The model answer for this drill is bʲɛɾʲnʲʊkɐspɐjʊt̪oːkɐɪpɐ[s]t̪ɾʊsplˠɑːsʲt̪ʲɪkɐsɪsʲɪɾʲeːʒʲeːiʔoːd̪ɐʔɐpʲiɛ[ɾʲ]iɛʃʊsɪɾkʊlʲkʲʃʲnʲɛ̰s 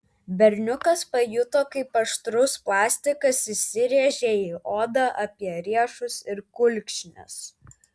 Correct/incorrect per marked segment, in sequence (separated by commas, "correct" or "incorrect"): incorrect, correct